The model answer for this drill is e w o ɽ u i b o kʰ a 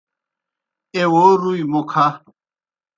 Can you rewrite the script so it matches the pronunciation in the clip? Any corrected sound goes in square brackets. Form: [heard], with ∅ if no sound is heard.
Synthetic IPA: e w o [ɾ] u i [m] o kʰ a